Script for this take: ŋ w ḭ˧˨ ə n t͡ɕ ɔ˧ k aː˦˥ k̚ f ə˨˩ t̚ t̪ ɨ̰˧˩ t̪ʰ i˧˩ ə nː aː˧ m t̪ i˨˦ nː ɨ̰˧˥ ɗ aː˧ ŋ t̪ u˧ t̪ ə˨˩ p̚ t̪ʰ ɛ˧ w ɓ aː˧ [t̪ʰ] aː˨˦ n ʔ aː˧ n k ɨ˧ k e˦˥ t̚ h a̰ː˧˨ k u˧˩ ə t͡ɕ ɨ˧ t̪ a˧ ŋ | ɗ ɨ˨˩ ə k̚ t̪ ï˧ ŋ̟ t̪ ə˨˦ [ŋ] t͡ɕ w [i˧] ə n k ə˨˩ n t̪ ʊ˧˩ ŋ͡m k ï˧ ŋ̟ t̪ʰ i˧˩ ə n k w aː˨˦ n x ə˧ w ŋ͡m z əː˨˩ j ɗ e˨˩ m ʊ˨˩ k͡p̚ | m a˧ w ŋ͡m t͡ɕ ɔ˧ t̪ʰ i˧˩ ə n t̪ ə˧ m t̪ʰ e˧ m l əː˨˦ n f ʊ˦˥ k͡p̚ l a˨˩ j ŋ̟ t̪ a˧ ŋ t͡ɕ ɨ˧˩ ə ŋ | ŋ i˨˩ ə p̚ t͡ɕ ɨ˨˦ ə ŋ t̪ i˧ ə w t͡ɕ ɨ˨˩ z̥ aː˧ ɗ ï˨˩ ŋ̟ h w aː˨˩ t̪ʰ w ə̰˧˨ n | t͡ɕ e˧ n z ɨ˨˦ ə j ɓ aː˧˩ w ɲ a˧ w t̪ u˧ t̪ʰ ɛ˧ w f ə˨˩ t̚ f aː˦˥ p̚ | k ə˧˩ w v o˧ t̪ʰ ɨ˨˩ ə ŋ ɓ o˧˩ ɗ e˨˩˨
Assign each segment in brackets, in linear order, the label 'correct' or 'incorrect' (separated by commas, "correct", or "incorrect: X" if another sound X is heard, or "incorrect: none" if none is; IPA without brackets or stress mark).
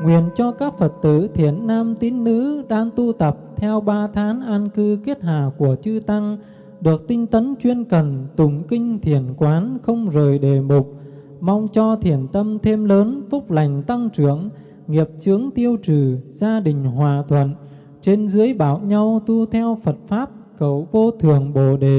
correct, incorrect: n, correct